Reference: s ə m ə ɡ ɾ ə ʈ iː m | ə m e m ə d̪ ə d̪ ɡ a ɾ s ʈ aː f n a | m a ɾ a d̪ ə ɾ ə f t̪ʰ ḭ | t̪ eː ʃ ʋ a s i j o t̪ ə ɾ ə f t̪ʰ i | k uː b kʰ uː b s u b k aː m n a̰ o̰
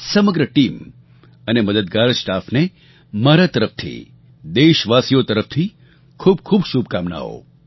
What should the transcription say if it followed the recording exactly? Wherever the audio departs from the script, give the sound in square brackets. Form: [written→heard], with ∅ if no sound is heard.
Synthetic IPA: s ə m ə ɡ ɾ ə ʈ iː m | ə [m→n] e m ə d̪ ə d̪ ɡ a ɾ s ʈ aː f n [a→e] | m a ɾ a [d̪→t̪] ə ɾ ə f t̪ʰ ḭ | [t̪→d̪] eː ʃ ʋ a s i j o t̪ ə ɾ ə f t̪ʰ i | [k→kʰ] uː b kʰ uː b [s→ʃ] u b k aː m n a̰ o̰

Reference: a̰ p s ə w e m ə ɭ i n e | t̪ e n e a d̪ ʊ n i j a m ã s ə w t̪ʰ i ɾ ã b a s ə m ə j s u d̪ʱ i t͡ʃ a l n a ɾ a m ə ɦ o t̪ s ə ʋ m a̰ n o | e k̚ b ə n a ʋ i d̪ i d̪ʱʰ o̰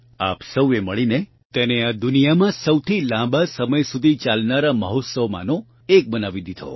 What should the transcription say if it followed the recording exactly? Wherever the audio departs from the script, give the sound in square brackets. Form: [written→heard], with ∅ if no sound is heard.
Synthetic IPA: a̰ p s ə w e m ə ɭ i n e | t̪ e n e a d̪ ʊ n i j a m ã s ə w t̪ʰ i [ɾ→l] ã b a s ə m ə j s u d̪ʱ i t͡ʃ a l n a ɾ a m ə ɦ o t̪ s ə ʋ m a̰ n o | e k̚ b ə n a ʋ i d̪ i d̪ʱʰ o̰

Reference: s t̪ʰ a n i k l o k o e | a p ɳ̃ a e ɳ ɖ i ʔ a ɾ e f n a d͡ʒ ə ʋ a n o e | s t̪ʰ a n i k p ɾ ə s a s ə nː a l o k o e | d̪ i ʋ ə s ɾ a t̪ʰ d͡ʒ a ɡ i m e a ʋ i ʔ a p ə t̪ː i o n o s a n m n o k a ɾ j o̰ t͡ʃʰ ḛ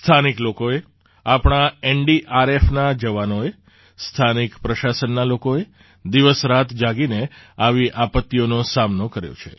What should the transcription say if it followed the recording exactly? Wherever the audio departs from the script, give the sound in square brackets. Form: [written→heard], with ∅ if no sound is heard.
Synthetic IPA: s t̪ʰ a n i k l o k o e | a p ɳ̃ a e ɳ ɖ i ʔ a ɾ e f n a d͡ʒ ə ʋ a n o e | s t̪ʰ a n i k p ɾ ə [s→ʃ] a s ə nː a l o k o e | d̪ i ʋ ə s ɾ a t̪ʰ d͡ʒ a ɡ i [m→n] e a ʋ i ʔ a p ə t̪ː i o n o s a [n→∅] m n o k [a→ə] ɾ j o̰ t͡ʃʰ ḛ

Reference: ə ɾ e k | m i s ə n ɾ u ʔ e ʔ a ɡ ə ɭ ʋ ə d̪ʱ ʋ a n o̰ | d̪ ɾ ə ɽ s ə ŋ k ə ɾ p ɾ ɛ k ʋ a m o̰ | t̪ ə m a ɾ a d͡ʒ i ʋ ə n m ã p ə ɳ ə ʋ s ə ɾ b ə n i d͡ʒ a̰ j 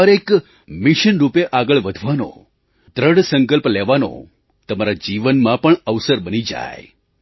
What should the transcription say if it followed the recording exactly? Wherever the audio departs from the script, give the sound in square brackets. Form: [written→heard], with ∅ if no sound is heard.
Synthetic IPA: ə ɾ e k | m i [s→ʃ] ə n ɾ u [ʔ→p] e ʔ a ɡ ə ɭ ʋ ə d̪ʱ ʋ a n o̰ | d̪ ɾ ə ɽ s ə ŋ k ə [ɾ→l] p [ɾ→l] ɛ [k→∅] ʋ a [m→n] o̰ | t̪ ə m a ɾ a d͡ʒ i ʋ ə n m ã p ə ɳ ə ʋ s ə ɾ b ə n i d͡ʒ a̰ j

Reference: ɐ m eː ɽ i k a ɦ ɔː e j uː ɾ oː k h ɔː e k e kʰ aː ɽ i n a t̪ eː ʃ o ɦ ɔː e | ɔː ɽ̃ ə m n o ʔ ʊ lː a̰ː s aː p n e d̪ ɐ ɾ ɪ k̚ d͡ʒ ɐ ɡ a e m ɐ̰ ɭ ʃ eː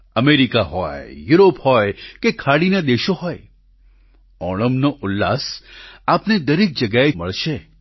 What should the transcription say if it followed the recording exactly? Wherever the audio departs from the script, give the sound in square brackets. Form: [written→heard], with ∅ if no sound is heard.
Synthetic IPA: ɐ m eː [ɽ→ɾ] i k a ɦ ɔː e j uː ɾ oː [k→p] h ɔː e k e kʰ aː ɽ i n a [t̪→d̪] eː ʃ o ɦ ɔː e | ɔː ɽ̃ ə m n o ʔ ʊ lː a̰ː s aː p n e d̪ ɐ ɾ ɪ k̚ d͡ʒ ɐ ɡ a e m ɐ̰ ɭ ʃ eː

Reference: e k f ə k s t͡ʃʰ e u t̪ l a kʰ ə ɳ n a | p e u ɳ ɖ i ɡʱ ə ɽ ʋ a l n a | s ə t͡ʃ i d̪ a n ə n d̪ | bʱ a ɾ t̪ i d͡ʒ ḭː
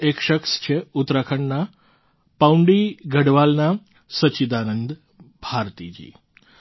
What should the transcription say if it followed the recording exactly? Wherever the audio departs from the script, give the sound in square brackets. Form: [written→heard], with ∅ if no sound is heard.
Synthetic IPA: e k [f→ʃ] ə k s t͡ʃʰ e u t̪ [l→ɾ] a kʰ ə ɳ n a | p [e→a] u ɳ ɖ i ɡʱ ə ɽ ʋ a l n a | s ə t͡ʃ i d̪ a n ə n d̪ | bʱ a ɾ t̪ i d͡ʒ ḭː

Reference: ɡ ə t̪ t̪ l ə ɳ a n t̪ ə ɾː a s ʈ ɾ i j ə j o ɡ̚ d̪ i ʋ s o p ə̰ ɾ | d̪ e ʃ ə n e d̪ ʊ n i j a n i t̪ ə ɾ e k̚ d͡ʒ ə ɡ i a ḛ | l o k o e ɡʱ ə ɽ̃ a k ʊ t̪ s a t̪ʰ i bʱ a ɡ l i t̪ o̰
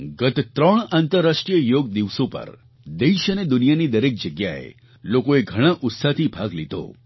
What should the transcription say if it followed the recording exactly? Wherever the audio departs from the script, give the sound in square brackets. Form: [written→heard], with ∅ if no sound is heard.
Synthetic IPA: ɡ ə t̪ t̪ [l→ɾ] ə ɳ a n t̪ ə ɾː a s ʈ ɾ i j ə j o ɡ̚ d̪ i ʋ s o p ə̰ ɾ | d̪ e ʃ ə n e d̪ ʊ n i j a n i [t̪→d̪] ə ɾ e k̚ d͡ʒ ə ɡ [i→j] a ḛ | l o k o e ɡʱ ə ɽ̃ a [k→ʔ] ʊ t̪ s a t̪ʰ i bʱ a ɡ l i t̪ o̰

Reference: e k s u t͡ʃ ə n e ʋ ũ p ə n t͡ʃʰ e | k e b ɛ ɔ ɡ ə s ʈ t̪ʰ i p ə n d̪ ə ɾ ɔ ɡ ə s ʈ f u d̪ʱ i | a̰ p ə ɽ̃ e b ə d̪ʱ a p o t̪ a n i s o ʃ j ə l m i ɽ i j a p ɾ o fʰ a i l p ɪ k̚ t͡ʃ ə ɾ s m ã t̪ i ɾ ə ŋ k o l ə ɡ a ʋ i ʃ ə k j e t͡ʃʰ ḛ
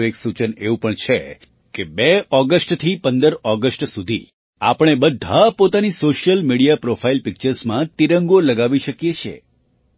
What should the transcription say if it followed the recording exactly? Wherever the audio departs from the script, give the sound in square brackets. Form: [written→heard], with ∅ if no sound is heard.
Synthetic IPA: e k s u t͡ʃ ə n e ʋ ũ p ə [n→ɳ] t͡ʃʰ e | k e b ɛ ɔ ɡ ə s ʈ t̪ʰ i p ə n d̪ ə ɾ ɔ ɡ ə s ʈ [f→s] u d̪ʱ i | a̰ p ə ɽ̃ e b ə d̪ʱ a p o t̪ a n i s o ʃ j ə l m i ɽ i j a p ɾ o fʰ a i l p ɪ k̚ t͡ʃ ə ɾ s m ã t̪ i ɾ ə ŋ [k→ɡ] o l ə ɡ a ʋ i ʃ ə k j e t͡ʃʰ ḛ

